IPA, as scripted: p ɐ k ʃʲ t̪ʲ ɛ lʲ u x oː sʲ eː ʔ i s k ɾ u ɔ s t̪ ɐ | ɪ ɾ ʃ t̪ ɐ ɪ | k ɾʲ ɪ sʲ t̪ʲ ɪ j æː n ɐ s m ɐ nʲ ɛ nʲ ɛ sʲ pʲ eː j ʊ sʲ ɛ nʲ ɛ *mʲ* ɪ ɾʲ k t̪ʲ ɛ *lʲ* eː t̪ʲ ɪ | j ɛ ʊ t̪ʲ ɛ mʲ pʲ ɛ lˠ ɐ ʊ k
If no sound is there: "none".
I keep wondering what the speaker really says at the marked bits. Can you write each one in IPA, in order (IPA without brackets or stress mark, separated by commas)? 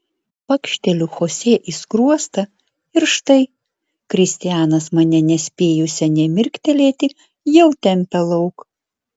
mʲ, lʲ